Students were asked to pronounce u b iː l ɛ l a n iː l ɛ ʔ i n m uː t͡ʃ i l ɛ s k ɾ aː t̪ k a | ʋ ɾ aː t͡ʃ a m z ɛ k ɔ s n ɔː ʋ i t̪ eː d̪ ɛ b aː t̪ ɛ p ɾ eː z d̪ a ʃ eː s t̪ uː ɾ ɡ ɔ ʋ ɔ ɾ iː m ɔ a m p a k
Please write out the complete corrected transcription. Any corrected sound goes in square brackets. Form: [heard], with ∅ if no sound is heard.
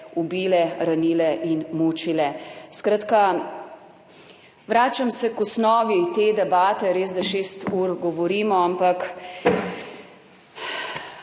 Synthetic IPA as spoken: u b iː l ɛ [ɾ] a n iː l ɛ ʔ i n m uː t͡ʃ i l ɛ s k ɾ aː t̪ k a | ʋ ɾ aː t͡ʃ a m [s] ɛ k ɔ s n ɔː ʋ i t̪ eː d̪ ɛ b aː t̪ ɛ [∅] ɾ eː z d̪ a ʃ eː s t̪ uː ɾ ɡ ɔ ʋ ɔ ɾ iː m ɔ a m p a k